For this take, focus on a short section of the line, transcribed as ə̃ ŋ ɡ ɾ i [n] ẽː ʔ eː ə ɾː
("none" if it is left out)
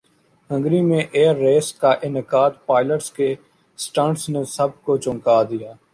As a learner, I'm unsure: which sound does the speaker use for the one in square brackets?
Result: m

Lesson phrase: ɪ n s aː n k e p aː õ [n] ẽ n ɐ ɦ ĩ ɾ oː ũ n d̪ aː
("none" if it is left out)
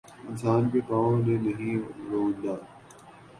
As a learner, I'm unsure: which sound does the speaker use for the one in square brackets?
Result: n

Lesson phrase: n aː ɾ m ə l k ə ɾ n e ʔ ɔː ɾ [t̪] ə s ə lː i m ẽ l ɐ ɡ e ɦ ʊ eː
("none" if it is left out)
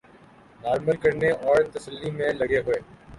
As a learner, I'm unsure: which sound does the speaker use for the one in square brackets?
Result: t̪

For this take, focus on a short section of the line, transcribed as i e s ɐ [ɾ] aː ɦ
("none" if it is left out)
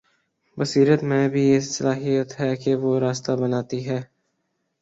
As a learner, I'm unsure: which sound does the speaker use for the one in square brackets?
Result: l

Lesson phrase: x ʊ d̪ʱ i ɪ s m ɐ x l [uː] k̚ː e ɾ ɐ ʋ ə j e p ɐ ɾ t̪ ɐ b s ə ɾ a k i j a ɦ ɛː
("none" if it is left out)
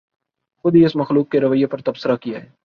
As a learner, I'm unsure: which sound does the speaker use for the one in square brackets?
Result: uː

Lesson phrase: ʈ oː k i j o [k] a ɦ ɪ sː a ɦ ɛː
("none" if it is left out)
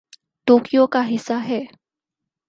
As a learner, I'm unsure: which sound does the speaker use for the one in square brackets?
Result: k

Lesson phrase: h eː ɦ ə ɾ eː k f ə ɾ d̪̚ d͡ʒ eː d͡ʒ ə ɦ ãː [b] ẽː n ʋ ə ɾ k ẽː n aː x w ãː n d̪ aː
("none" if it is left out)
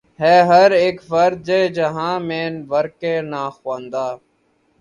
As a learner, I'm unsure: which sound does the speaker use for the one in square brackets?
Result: m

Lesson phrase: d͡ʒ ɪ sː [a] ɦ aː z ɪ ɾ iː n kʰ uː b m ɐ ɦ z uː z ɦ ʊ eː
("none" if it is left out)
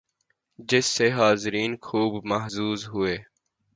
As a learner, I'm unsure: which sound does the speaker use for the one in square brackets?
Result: e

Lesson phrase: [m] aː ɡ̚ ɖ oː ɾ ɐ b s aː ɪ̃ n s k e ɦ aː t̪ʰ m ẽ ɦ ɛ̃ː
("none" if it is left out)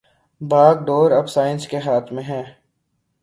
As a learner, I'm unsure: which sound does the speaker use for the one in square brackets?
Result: b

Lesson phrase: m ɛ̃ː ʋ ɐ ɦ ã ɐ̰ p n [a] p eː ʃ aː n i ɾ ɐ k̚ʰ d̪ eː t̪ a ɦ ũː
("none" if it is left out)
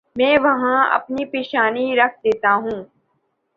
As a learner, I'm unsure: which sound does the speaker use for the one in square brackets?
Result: i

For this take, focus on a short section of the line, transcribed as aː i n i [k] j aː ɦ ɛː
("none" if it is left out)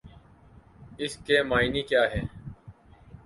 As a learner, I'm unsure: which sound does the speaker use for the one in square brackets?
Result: k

